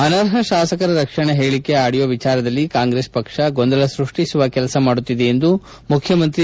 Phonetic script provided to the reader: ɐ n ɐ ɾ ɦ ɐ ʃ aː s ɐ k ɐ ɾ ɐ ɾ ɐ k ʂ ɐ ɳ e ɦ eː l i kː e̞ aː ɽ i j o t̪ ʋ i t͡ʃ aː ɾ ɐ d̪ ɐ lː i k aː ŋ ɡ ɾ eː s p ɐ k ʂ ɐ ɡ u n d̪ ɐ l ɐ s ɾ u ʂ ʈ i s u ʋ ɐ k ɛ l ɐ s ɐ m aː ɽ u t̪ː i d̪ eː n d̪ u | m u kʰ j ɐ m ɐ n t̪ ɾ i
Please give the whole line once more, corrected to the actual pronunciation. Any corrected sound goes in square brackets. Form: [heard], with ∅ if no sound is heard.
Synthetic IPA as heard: ɐ n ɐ ɾ ɦ ɐ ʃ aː s ɐ k ɐ ɾ ɐ ɾ ɐ k ʂ ɐ ɳ e ɦ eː [ɭ] i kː e̞ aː ɽ i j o [∅] ʋ i t͡ʃ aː ɾ ɐ d̪ ɐ lː i k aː ŋ ɡ ɾ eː s p ɐ k ʂ ɐ ɡ [o] n d̪ ɐ l ɐ s ɾ u ʂ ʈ i s u ʋ ɐ k ɛ l ɐ s ɐ m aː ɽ u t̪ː i d̪ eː n d̪ u | m u kʰ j ɐ m ɐ n t̪ ɾ i